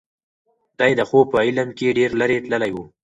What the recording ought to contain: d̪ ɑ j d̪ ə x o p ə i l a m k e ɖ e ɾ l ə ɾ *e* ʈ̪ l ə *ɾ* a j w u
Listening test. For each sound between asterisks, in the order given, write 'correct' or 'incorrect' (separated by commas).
correct, incorrect